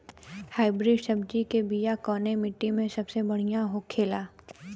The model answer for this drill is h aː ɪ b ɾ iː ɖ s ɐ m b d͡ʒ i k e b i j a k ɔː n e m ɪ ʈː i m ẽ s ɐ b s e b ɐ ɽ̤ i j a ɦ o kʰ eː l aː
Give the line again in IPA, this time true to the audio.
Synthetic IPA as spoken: h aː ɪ b ɾ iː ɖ s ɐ b d͡ʒ i k e b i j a k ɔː n e m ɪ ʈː i m ẽ s ɐ b s e b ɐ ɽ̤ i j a ɦ o kʰ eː l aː